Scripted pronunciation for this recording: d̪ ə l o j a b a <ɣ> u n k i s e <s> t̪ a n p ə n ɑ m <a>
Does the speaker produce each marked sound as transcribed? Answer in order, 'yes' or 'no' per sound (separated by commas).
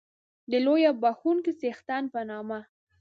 no, no, yes